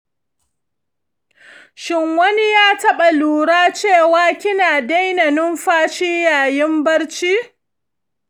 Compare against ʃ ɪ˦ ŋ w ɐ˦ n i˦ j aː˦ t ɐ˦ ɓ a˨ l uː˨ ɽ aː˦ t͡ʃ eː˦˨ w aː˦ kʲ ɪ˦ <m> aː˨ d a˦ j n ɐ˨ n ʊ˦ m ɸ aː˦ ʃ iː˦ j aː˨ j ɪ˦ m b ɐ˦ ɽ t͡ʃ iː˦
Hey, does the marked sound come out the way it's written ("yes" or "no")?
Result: no